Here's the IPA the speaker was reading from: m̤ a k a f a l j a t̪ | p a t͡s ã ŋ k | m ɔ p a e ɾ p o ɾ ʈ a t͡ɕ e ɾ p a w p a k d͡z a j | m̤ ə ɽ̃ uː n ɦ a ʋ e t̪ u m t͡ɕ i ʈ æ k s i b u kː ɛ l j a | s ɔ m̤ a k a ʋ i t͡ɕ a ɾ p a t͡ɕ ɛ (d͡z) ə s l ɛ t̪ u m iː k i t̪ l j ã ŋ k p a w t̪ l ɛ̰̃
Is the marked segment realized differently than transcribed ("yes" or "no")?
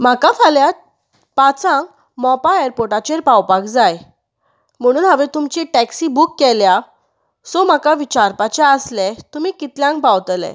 yes